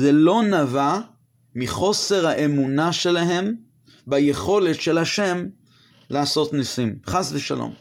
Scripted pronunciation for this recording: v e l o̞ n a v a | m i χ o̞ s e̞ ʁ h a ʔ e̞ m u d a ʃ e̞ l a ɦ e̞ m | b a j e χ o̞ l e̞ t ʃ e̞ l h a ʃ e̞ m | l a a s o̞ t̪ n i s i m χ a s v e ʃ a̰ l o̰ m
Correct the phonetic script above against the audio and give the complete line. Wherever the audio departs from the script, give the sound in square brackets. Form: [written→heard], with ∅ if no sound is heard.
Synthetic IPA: [v→z] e l o̞ n a v a | m i χ o̞ s e̞ ʁ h a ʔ e̞ m u [d→n] a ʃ e̞ l a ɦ e̞ m | b a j e χ o̞ l e̞ t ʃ e̞ l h a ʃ e̞ m | l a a s o̞ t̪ n i s i m χ a s v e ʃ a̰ l o̰ m